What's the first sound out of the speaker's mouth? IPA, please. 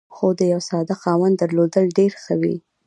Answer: x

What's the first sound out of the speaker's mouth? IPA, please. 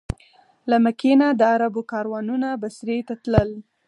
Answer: l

